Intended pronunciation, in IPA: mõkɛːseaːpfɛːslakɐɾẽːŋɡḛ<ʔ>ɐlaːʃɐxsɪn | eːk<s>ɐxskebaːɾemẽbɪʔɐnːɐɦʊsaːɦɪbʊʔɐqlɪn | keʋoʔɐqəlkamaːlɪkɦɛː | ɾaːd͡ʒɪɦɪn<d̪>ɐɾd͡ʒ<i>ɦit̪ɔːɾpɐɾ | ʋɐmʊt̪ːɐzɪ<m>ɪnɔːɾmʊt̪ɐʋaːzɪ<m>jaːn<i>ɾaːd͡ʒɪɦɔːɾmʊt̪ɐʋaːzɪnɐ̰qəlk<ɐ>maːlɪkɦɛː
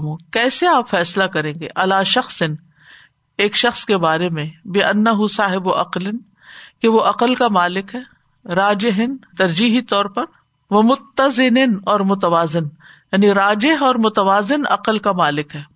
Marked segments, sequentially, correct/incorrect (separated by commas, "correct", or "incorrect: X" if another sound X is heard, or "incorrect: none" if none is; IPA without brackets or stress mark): correct, incorrect: ʃ, incorrect: t̪, incorrect: iː, incorrect: n, incorrect: n, correct, incorrect: a